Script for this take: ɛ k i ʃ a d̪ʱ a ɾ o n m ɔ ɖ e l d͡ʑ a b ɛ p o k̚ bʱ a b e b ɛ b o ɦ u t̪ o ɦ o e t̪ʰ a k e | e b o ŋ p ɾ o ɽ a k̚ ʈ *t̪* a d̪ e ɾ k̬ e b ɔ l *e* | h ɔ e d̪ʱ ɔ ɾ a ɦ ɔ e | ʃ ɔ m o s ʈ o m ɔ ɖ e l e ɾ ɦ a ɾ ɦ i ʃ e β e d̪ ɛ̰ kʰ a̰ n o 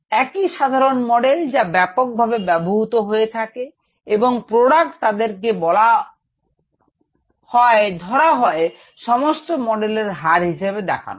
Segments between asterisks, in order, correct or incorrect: correct, incorrect: a

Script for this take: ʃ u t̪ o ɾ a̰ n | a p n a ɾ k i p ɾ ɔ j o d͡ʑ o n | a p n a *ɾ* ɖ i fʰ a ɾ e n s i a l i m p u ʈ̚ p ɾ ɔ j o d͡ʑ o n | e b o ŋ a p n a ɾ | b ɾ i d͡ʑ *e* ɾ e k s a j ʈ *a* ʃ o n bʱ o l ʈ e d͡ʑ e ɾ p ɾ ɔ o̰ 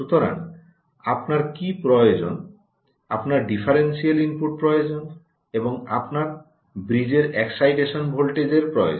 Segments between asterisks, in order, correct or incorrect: correct, correct, incorrect: e

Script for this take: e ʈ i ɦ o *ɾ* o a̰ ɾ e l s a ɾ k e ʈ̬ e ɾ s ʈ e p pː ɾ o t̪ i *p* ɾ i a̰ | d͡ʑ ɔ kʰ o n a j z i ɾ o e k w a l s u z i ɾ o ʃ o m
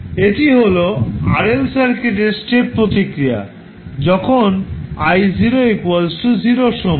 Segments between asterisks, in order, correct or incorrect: incorrect: l, incorrect: k

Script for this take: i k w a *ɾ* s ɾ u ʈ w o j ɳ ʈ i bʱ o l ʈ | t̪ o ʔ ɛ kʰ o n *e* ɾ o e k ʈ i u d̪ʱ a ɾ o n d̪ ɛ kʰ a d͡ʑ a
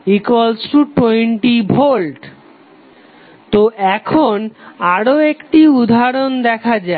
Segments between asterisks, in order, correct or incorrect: incorrect: l, incorrect: a

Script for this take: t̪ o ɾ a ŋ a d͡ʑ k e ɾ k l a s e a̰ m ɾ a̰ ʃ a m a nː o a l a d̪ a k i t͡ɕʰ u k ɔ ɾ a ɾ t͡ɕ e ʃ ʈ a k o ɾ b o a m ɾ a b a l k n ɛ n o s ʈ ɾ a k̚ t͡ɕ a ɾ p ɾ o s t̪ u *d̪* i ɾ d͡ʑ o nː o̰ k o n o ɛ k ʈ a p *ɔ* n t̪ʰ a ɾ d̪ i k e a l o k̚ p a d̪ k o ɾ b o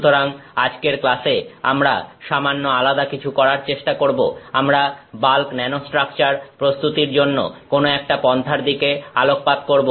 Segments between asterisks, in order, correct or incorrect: incorrect: t̪, correct

